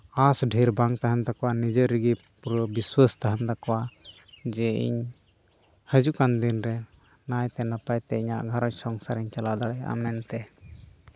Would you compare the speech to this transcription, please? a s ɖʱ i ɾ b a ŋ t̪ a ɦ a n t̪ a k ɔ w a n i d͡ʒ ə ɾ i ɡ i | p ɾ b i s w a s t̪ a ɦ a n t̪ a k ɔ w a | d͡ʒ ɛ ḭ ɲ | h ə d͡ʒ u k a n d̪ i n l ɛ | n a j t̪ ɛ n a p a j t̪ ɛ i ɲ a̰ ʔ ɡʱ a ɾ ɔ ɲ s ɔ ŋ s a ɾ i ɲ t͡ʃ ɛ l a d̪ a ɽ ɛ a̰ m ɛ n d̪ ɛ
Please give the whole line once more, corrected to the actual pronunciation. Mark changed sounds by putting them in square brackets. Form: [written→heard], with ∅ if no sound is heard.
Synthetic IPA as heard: a s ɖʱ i ɾ b a ŋ t̪ a ɦ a n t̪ a k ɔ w a n i d͡ʒ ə ɾ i ɡ i | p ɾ b i s w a s t̪ a ɦ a n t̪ a k ɔ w a | d͡ʒ ɛ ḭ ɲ | h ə d͡ʒ u k a n d̪ i n [l→ɾ] ɛ | n a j t̪ ɛ n a p a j t̪ ɛ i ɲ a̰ ʔ ɡʱ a ɾ ɔ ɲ s ɔ ŋ s a ɾ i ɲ t͡ʃ [ɛ→a] l a d̪ a ɽ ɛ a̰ m ɛ n [d̪→t̪] ɛ